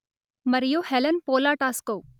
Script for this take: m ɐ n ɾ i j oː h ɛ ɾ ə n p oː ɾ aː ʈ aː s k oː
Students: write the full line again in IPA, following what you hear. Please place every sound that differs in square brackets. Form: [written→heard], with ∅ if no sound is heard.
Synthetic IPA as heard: m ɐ [n→∅] ɾ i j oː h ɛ [ɾ→l] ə n p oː [ɾ→l] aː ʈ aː s k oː

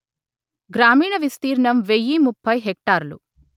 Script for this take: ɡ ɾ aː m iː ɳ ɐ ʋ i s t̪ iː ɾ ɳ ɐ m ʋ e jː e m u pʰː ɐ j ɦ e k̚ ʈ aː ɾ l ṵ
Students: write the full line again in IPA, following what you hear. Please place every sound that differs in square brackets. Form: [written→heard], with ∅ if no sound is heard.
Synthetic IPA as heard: ɡ ɾ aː m iː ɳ ɐ ʋ i s t̪ iː ɾ ɳ ɐ m ʋ e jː [e→i] m u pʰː ɐ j ɦ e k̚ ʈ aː ɾ l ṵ

